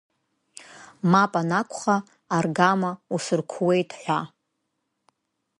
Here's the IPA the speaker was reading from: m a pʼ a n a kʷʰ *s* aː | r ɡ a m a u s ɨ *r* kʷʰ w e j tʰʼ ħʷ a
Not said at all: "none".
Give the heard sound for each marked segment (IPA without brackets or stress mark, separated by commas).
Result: χ, r